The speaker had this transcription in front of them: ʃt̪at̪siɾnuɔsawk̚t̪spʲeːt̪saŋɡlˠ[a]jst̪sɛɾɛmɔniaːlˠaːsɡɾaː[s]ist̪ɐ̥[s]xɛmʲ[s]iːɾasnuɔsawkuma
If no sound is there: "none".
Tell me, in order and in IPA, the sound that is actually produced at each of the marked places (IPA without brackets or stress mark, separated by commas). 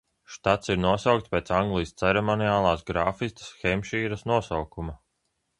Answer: i, f, s, ʃ